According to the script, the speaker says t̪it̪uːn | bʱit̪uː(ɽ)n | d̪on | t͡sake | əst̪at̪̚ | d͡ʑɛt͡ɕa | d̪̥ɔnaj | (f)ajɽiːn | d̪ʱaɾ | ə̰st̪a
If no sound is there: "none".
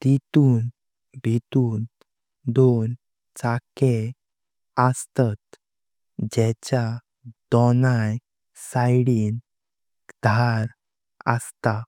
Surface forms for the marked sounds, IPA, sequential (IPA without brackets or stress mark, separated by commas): none, s